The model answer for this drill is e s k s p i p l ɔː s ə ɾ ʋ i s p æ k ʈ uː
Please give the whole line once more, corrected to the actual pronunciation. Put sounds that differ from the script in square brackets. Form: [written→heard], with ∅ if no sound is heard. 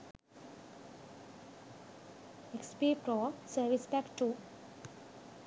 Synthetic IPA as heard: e [s→∅] k s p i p [l→ɾ] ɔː s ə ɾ ʋ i s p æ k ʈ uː

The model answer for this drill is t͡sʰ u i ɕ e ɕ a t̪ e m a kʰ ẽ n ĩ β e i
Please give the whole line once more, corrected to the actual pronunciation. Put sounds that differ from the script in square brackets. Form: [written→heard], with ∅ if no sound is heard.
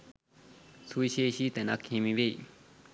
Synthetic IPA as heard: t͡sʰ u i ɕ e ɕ [a→i] t̪ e [m→n] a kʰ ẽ [n→m] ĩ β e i

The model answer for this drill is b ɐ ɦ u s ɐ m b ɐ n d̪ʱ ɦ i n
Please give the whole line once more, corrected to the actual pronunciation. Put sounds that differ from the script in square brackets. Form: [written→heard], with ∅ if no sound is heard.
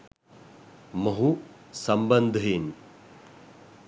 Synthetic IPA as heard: [b→m] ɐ ɦ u s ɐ m b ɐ n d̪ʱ ɦ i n

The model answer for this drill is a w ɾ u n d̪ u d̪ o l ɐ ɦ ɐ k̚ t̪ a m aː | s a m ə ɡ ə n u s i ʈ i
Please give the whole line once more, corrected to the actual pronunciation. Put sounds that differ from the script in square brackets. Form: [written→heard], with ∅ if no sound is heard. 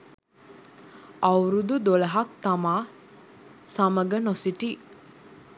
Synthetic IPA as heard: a w ɾ u [n→∅] d̪ u d̪ o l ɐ ɦ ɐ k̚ t̪ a m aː | s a m ə ɡ ə n [u→o] s i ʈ i

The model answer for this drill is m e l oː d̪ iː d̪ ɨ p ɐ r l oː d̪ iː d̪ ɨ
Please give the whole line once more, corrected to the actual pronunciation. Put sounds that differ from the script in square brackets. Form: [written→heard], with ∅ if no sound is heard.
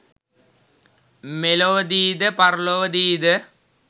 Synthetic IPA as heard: m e l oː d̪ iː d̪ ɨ p ɐ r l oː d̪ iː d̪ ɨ

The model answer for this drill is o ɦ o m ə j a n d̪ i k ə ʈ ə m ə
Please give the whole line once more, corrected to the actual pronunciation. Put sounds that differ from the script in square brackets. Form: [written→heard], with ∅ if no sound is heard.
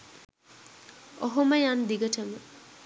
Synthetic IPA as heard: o ɦ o m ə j a n d̪ i [k→ɡ] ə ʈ ə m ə

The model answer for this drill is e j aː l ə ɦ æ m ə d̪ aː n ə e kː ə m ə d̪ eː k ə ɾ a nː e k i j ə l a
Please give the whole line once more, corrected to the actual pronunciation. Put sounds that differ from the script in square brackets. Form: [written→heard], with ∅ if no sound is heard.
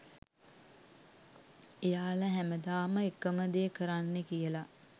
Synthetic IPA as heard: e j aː l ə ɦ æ m ə d̪ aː [n→m] ə e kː ə m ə d̪ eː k ə ɾ a nː e k i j ə l a

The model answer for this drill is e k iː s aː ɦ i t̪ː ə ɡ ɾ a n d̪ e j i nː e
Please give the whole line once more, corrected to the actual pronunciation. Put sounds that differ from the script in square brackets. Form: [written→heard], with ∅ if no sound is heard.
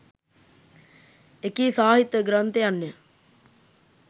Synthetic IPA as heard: e k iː s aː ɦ i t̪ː ə ɡ ɾ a n [d̪→t̪] e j [i→a] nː e

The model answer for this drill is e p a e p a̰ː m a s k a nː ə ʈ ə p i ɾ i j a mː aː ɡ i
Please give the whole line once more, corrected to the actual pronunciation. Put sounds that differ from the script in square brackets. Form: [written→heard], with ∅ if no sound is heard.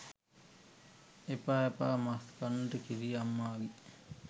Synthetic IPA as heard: e p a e p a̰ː m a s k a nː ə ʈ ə [p→k] i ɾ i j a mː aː ɡ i

